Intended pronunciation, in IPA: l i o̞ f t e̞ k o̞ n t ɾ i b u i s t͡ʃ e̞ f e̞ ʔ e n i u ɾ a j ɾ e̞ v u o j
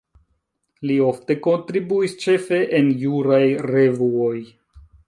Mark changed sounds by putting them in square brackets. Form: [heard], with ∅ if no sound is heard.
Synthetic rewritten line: l i o̞ f t e̞ k o̞ n t ɾ i b u i s t͡ʃ e̞ f e̞ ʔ e n [j] u ɾ a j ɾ e̞ v u o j